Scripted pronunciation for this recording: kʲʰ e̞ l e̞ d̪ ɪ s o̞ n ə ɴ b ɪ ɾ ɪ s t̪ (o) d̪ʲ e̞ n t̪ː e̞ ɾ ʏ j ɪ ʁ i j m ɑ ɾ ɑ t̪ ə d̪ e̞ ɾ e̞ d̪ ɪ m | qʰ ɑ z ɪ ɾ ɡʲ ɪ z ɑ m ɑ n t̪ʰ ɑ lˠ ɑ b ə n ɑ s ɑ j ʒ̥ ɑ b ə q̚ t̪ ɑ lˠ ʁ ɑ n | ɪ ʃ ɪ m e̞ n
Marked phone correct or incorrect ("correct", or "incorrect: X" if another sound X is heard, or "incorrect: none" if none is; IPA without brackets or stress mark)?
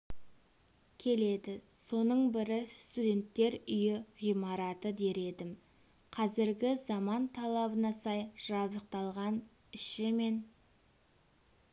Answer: incorrect: u